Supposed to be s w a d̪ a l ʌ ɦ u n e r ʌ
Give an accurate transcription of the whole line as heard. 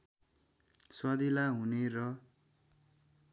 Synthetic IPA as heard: s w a d̪ i l a ɦ u n e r ʌ